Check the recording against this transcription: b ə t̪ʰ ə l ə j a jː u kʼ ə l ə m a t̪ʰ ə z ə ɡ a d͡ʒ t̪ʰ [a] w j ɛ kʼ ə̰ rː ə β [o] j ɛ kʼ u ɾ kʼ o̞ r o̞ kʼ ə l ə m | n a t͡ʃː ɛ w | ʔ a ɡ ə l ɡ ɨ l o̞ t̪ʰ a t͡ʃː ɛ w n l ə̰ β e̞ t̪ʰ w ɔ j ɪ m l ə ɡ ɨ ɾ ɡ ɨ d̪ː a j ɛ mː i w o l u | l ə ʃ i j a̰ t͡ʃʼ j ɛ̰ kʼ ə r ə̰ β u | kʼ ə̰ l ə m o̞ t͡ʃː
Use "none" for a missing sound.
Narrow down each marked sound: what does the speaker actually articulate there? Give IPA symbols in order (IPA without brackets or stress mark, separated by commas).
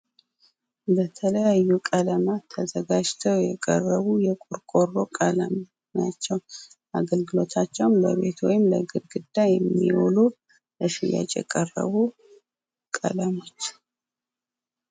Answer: ə, u